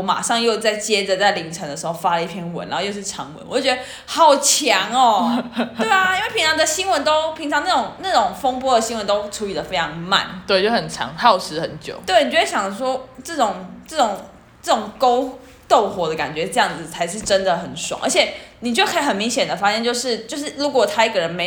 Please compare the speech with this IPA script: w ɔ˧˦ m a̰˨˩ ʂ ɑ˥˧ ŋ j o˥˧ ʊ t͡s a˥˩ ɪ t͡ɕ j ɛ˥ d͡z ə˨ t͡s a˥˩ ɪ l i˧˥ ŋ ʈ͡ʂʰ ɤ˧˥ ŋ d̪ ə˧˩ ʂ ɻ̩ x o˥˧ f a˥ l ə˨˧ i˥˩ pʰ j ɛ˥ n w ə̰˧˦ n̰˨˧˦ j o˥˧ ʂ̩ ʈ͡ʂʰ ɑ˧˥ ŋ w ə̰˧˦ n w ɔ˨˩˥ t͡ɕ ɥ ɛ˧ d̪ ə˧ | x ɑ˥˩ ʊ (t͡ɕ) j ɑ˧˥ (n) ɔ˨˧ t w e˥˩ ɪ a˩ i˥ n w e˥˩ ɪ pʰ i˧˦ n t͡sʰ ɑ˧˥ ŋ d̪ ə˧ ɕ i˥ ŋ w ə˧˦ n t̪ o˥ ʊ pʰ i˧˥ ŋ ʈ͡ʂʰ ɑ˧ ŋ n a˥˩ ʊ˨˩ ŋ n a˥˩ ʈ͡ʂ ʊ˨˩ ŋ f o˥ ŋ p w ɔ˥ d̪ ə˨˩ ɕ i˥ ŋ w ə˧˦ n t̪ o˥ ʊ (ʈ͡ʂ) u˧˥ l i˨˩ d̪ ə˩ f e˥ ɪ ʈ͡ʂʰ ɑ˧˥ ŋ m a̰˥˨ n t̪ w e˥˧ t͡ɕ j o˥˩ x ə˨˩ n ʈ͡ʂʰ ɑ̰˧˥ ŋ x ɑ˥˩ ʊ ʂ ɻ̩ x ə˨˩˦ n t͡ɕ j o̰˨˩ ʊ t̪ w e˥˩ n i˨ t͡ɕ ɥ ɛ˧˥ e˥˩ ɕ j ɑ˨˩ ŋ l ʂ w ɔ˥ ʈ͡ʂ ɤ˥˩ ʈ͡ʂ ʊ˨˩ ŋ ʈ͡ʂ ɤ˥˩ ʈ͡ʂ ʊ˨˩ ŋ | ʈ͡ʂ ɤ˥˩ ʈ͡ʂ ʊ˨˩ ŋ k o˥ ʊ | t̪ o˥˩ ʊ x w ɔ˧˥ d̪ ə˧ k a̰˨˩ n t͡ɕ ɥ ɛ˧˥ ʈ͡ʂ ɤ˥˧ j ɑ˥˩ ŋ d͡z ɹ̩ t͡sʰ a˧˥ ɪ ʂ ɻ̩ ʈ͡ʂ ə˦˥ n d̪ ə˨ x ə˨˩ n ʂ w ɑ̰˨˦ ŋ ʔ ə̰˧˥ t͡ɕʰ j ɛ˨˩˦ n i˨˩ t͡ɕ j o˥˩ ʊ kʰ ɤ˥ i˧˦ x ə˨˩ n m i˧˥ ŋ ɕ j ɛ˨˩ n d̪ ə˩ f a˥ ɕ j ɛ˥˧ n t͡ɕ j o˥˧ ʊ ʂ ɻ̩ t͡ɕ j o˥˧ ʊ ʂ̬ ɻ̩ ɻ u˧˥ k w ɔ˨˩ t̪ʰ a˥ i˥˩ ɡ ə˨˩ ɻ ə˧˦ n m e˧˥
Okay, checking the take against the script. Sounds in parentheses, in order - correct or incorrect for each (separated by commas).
incorrect, incorrect, incorrect